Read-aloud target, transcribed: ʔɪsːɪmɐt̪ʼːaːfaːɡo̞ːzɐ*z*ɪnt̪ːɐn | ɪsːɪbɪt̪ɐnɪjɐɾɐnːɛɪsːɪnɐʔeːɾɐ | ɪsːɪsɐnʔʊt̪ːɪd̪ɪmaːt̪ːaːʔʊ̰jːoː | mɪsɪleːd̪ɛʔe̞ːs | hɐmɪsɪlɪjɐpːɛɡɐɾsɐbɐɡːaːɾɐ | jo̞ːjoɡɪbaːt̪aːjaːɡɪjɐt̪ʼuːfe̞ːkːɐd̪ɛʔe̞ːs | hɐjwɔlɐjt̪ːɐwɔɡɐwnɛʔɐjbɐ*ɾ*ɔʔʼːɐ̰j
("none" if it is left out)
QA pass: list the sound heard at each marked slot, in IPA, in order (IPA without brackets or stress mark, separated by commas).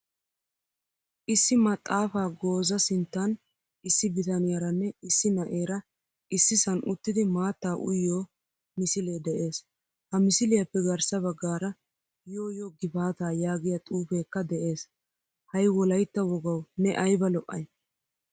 s, l